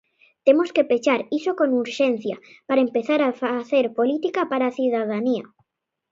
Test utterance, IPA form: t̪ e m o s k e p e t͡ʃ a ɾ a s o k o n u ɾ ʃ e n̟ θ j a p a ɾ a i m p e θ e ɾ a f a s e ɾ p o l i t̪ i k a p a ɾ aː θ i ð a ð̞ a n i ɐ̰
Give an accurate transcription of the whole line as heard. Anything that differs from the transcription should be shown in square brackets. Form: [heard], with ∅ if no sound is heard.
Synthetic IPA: t̪ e m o s k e p e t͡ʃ a ɾ [i] s o k o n u ɾ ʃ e n̟ θ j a p a ɾ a [e] m p e θ [a] ɾ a f a [θ] e ɾ p o l i t̪ i k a p a ɾ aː θ i ð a ð̞ a n i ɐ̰